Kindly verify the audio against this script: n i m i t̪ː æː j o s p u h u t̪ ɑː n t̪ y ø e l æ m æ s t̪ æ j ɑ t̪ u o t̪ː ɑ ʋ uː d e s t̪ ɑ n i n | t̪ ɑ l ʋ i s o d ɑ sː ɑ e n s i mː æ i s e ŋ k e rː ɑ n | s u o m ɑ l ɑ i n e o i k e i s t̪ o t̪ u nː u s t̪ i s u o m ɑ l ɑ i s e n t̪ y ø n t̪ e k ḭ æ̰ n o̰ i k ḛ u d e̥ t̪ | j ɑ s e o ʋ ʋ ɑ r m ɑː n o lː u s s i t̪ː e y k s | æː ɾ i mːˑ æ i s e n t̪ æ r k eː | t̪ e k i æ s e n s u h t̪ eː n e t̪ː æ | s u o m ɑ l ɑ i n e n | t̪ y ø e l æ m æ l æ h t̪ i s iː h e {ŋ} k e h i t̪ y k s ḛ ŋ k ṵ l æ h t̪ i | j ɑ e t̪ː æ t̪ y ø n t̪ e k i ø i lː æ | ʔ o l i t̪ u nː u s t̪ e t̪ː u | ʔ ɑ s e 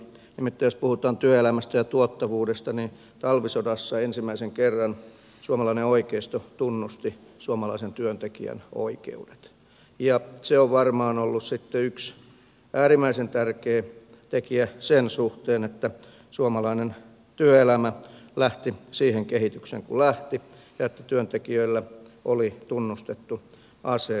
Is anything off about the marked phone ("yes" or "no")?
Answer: no